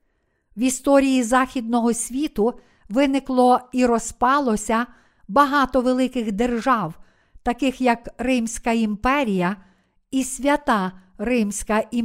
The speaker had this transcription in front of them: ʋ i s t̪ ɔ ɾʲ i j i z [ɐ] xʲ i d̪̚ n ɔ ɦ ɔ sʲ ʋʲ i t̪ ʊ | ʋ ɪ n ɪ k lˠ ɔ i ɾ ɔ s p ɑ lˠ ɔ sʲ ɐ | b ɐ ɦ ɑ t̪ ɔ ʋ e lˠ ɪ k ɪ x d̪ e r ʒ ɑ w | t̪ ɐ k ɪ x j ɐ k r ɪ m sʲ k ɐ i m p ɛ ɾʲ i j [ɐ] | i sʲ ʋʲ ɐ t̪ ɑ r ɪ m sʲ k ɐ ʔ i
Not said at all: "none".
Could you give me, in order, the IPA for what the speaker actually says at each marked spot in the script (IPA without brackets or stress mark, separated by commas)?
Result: ɑ, ɐ